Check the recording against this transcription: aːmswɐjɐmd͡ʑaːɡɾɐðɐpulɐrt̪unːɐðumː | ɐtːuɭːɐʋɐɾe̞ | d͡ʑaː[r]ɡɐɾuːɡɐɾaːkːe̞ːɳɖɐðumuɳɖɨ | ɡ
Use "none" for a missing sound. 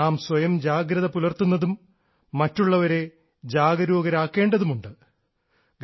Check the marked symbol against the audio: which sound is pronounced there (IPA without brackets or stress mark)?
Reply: none